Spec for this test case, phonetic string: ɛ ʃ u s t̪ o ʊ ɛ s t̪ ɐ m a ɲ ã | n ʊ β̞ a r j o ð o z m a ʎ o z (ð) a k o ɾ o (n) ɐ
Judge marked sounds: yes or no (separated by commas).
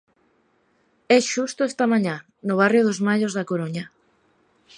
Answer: yes, no